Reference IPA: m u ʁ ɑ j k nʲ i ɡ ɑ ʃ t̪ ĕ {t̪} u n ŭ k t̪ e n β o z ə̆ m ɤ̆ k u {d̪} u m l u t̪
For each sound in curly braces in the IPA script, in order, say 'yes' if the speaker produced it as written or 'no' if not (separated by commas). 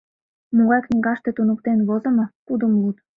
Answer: yes, yes